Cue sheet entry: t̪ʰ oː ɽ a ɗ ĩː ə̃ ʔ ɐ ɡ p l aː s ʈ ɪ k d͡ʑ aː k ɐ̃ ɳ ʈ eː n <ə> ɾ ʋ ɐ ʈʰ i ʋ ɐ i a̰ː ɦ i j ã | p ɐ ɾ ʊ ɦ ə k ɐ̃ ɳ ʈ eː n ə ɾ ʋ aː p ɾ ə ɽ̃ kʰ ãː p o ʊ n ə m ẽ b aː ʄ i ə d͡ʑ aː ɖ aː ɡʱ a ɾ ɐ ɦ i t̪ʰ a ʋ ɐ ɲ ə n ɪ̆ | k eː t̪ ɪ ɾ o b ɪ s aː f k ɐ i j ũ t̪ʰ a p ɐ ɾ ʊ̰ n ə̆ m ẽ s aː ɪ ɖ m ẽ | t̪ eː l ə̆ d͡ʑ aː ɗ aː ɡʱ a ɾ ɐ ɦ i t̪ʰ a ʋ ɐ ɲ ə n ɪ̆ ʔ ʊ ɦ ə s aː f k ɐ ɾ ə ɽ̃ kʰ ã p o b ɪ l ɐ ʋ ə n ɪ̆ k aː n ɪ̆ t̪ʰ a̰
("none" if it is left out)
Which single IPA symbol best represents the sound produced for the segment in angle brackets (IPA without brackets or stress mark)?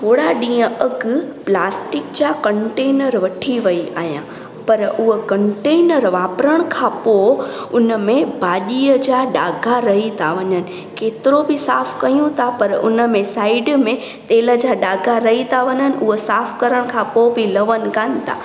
ə